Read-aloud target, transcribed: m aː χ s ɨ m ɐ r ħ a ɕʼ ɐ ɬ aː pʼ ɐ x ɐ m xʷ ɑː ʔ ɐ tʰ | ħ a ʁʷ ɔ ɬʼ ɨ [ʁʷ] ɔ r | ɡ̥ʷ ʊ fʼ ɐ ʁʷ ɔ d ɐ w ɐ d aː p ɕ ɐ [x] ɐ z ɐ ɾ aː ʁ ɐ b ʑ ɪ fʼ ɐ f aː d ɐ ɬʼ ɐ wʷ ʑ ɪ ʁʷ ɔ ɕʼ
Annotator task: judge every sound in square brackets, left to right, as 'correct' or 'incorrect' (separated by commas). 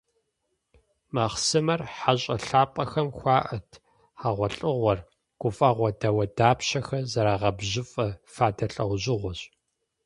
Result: correct, correct